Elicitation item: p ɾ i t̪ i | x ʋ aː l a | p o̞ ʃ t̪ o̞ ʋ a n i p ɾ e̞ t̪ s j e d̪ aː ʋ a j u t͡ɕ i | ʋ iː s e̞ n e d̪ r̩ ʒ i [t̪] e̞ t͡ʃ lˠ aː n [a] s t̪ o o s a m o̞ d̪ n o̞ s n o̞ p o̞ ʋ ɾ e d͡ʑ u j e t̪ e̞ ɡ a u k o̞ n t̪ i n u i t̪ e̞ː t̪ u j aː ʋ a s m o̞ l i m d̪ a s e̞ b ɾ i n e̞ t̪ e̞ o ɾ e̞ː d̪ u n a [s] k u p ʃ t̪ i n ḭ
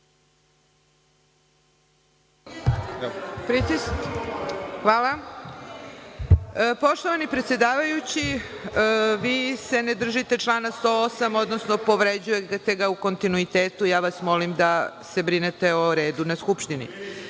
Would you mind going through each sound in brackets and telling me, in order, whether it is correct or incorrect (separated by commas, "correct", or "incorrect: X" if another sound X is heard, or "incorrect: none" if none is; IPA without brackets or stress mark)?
correct, correct, correct